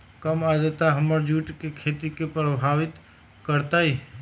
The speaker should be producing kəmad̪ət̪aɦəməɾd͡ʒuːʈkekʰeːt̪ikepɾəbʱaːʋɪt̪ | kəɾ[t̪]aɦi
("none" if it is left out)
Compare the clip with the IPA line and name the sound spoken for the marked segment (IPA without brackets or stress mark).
t̪